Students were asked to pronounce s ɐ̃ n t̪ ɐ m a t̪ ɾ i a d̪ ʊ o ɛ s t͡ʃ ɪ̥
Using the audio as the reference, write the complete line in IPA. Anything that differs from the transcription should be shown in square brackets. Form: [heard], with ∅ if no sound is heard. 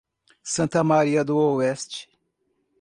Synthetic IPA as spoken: s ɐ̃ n t̪ ɐ m a [∅] ɾ i [ɐ] d̪ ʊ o ɛ s t͡ʃ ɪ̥